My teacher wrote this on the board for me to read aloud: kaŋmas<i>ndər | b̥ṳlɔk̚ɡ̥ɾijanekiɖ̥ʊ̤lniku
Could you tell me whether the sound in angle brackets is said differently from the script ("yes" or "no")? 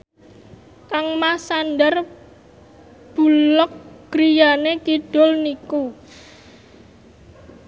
yes